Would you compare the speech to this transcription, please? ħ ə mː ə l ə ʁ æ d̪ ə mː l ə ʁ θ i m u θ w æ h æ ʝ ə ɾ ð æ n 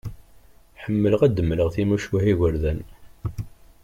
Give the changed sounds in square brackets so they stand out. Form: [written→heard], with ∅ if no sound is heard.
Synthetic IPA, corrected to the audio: ħ ə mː ə l ə ʁ æ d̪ ə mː l ə ʁ θ i m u [θ→ʃ] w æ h [æ→i] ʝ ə ɾ ð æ n